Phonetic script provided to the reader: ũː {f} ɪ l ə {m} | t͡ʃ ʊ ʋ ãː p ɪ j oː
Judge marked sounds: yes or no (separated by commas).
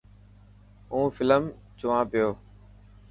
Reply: yes, yes